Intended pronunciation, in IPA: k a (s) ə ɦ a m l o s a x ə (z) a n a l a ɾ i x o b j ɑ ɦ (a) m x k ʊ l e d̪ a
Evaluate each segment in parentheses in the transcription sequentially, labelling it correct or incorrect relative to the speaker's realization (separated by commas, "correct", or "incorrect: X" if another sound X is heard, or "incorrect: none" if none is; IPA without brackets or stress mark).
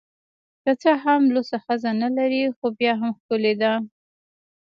incorrect: t͡s, correct, correct